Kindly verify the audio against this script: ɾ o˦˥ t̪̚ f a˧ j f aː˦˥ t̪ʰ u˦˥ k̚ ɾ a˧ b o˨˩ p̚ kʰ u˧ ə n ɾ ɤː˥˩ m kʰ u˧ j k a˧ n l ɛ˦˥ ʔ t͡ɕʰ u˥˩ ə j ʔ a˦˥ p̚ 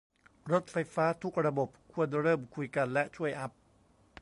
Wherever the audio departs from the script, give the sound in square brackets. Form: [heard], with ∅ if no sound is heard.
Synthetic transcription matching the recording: ɾ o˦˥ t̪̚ f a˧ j f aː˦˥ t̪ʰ u˦˥ k̚ ɾ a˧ b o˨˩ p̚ kʰ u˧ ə n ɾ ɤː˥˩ m kʰ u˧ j k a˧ n l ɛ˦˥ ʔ t͡ɕʰ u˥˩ ə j ʔ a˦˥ p̚